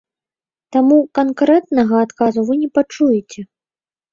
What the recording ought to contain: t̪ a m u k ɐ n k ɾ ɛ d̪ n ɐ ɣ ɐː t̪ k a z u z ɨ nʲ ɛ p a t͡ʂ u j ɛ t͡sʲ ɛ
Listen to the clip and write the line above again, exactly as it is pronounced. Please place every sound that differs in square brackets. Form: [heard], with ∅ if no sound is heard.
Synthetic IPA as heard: t̪ a m u k [a] n k ɾ ɛ [t̪] n ɐ ɣ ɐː t̪ k a z u [v] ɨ nʲ ɛ p a t͡ʂ u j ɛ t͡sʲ ɛ